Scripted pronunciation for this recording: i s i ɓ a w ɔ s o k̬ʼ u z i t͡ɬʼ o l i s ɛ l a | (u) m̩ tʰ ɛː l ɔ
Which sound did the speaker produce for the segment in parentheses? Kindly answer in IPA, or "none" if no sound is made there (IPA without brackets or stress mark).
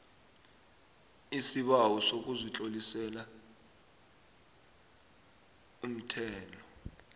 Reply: u